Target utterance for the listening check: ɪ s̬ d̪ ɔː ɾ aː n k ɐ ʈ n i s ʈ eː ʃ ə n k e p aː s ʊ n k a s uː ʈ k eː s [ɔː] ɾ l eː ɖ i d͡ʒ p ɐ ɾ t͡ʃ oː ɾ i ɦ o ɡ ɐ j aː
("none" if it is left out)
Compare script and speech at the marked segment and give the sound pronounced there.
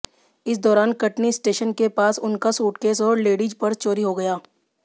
ɔː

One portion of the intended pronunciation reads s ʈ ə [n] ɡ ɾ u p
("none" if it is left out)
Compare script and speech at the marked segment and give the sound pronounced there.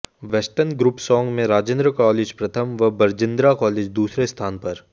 n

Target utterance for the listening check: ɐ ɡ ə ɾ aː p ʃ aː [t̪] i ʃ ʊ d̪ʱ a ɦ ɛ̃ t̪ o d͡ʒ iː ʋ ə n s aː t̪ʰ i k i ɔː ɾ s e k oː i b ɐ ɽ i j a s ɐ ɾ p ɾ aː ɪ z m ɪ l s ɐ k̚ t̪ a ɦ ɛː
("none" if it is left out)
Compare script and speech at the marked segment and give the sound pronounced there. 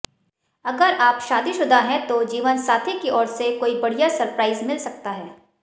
d̪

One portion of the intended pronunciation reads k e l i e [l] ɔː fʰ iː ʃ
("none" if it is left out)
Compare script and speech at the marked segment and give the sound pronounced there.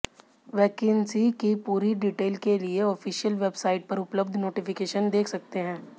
none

